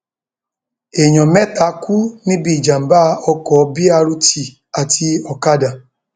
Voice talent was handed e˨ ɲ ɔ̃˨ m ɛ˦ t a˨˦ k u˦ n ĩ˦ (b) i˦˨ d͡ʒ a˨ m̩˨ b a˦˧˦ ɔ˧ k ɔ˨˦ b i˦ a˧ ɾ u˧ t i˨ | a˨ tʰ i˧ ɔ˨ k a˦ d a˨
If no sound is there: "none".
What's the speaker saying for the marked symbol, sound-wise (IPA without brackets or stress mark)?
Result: b